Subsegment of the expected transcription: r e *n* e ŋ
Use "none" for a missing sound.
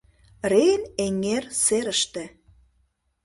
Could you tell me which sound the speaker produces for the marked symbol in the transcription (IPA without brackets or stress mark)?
n